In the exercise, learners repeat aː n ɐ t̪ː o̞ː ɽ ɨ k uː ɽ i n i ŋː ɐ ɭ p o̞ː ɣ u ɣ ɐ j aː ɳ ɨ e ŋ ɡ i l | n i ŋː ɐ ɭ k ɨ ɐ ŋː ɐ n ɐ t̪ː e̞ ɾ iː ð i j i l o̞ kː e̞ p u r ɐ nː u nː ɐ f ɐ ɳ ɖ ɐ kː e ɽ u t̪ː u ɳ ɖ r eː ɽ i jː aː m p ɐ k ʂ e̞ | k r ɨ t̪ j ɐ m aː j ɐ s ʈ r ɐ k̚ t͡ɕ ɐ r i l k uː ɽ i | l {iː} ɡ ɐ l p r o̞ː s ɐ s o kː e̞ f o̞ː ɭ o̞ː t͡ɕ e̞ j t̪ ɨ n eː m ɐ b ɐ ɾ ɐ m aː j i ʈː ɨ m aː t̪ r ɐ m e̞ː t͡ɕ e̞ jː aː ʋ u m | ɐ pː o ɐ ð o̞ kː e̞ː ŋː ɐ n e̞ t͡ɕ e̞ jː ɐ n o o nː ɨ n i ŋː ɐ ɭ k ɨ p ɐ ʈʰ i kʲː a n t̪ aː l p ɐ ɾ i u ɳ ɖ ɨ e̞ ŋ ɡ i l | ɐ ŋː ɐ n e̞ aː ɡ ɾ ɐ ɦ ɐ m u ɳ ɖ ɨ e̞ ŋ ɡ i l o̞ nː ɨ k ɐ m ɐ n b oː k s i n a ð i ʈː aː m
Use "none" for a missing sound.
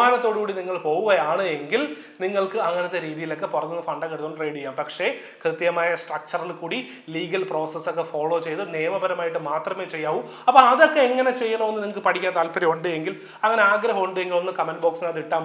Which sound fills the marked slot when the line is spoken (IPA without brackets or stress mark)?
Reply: iː